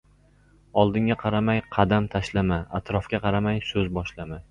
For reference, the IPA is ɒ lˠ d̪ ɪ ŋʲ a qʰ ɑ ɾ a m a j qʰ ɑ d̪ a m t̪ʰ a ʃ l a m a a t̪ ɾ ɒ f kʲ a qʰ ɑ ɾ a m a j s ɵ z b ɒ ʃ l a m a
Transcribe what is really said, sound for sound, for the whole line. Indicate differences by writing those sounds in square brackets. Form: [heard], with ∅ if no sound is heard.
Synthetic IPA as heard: ɒ lˠ d̪ ɪ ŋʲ a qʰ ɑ ɾ a m a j qʰ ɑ d̪ a m t̪ʰ a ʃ l a m a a t̪ ɾ ɒ f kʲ a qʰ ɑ ɾ a m a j s ɵ z b ɒ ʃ l a m a